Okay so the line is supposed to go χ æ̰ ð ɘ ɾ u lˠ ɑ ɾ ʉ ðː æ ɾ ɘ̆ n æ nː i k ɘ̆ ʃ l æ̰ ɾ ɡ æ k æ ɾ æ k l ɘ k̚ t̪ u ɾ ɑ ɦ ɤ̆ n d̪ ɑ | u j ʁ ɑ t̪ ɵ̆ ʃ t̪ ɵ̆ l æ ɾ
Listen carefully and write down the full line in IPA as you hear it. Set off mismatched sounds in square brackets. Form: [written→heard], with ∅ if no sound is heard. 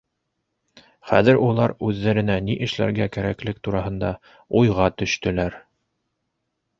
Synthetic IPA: χ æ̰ ð ɘ ɾ u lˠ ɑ ɾ ʉ ðː æ ɾ ɘ̆ n æ [nː→n] i [k→ʔ] ɘ̆ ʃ l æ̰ ɾ ɡ æ k æ ɾ æ k l ɘ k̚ t̪ u ɾ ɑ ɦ ɤ̆ n d̪ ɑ | u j ʁ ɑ t̪ ɵ̆ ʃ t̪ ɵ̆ l æ ɾ